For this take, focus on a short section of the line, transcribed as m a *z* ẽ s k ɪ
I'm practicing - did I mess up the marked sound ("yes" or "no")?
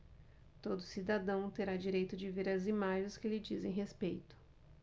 yes